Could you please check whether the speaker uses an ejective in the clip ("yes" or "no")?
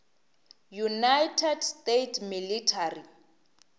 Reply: no